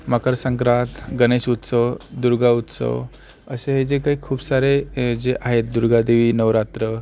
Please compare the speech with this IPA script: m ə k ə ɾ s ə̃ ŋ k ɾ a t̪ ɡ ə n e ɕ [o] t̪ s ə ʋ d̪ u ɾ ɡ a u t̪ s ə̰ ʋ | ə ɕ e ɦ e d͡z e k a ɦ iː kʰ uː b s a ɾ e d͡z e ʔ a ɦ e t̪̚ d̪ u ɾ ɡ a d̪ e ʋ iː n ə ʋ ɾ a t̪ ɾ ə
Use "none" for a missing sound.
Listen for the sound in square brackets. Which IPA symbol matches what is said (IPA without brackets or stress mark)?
u